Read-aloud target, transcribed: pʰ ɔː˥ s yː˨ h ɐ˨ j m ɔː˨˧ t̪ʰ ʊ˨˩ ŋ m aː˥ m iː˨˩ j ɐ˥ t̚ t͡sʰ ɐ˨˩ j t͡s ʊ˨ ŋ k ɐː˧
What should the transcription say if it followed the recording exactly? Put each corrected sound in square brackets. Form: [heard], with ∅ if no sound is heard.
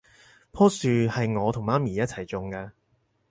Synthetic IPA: pʰ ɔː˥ s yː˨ h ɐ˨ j [ŋ] ɔː˨˧ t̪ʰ ʊ˨˩ ŋ m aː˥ m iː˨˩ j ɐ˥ t̚ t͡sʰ ɐ˨˩ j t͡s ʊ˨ ŋ k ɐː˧